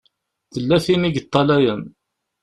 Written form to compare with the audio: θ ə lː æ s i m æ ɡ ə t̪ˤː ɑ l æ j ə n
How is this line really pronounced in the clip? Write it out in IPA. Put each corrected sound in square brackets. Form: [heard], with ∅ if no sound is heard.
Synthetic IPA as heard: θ ə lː æ [θ] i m [i] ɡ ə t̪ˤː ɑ l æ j ə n